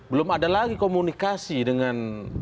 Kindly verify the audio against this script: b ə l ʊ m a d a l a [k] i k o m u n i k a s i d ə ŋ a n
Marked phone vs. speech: incorrect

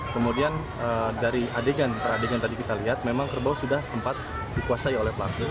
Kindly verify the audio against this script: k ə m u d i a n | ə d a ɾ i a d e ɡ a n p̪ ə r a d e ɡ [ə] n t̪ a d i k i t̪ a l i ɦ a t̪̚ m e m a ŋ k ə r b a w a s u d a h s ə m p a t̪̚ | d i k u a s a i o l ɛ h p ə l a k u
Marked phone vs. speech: incorrect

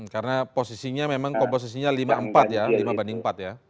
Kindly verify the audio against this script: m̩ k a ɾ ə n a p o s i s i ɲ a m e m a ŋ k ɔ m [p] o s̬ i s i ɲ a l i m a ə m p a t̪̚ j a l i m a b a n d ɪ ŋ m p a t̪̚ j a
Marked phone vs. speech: correct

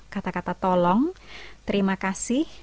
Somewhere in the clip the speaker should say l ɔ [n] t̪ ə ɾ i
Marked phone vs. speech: incorrect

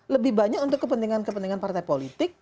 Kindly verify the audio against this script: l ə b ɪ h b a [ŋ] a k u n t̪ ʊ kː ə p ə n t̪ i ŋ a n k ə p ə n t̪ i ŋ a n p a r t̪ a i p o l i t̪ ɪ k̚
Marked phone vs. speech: incorrect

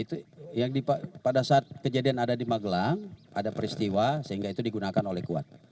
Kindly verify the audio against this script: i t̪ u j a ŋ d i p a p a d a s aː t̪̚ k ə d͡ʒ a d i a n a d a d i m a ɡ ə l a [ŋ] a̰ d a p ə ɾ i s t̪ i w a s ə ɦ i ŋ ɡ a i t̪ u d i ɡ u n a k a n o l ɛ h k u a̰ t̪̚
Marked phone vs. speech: correct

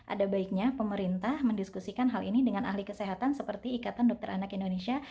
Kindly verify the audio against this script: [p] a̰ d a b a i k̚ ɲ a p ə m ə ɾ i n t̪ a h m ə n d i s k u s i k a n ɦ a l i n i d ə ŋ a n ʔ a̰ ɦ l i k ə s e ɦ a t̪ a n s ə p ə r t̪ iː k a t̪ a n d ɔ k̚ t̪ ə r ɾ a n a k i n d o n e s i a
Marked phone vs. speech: incorrect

